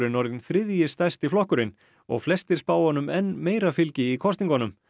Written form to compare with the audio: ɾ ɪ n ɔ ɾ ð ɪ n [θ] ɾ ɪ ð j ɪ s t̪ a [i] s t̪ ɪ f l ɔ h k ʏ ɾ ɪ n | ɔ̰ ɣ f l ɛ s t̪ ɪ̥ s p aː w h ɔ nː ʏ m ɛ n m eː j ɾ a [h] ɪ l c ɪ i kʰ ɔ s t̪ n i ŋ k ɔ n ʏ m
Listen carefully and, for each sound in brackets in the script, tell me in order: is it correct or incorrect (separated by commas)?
correct, incorrect, incorrect